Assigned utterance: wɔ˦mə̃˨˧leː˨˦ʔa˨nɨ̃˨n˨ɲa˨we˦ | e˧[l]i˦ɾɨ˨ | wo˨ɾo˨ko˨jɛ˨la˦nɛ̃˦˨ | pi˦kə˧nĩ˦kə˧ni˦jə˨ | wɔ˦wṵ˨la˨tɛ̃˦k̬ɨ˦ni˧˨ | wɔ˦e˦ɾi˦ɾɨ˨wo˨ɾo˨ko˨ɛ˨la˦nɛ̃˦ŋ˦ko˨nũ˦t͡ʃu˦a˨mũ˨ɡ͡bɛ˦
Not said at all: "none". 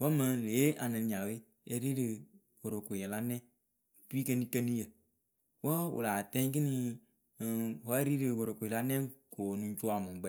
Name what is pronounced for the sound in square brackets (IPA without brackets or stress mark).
ɾ